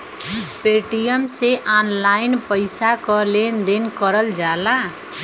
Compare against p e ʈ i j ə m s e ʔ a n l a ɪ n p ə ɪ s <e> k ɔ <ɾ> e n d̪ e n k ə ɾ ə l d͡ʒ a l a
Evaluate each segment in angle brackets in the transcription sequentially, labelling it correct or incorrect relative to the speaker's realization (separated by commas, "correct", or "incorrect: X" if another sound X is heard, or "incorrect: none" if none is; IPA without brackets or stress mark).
incorrect: a, incorrect: l